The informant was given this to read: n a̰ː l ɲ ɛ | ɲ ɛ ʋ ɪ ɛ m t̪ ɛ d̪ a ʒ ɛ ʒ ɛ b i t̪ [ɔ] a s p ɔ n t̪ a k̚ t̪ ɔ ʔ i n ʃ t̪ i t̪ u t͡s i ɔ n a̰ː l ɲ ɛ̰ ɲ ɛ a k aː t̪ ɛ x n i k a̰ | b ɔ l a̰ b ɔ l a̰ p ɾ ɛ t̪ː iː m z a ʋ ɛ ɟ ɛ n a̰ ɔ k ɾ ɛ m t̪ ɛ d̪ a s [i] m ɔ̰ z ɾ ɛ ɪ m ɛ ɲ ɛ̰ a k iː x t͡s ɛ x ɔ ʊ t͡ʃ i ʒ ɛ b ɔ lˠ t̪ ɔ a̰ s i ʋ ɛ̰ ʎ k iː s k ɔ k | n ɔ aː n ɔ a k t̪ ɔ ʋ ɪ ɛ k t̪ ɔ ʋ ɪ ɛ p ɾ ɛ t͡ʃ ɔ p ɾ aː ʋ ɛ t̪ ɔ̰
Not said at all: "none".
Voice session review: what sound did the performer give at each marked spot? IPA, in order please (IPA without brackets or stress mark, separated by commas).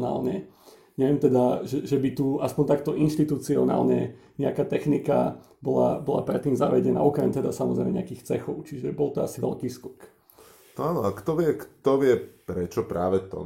u, a